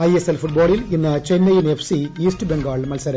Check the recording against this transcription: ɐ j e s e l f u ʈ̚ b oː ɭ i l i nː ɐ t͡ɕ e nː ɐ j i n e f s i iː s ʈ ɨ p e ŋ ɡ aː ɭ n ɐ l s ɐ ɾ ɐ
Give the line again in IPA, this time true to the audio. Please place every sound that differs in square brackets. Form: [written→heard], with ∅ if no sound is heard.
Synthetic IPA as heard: ɐ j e s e l f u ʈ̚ b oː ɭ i l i nː ɐ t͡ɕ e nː ɐ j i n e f s i iː s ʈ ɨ [p→b] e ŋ ɡ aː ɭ [n→m] ɐ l s ɐ ɾ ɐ